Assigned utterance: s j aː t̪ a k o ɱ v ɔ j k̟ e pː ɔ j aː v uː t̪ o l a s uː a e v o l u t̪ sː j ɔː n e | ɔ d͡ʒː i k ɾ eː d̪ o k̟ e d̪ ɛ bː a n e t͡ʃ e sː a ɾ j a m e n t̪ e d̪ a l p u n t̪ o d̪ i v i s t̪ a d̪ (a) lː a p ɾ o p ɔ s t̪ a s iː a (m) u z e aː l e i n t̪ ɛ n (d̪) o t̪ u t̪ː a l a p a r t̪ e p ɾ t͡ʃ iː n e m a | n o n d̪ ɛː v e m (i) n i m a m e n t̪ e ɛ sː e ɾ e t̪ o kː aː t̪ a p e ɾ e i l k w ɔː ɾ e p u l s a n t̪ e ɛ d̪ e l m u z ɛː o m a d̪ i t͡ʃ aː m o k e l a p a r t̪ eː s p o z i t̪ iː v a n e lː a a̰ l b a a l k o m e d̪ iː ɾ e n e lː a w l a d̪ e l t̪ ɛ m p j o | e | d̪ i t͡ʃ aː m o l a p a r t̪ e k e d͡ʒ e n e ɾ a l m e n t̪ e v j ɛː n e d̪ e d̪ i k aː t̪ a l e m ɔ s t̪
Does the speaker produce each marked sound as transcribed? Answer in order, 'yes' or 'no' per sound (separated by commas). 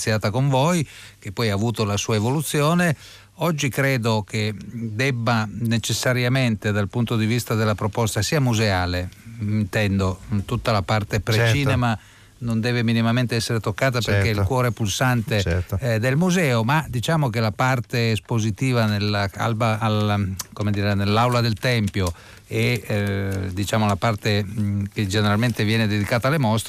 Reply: no, yes, yes, yes